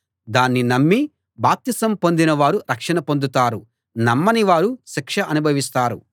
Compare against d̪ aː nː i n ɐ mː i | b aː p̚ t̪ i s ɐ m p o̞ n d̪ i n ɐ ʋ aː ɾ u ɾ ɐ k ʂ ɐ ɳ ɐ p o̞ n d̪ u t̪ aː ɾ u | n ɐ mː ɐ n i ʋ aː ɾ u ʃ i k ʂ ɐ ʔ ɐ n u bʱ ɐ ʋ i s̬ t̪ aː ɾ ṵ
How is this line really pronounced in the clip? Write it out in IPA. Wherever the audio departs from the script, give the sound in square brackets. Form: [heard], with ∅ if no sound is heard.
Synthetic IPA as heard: d̪ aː nː i n ɐ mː i | b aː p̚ t̪ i s ɐ m p o̞ n d̪ i n ɐ ʋ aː ɾ u ɾ ɐ k ʂ ɐ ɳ ɐ p o̞ n d̪ u t̪ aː ɾ u | n ɐ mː ɐ n i ʋ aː ɾ u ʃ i k ʂ ɐ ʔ ɐ n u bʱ ɐ ʋ i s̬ t̪ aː ɾ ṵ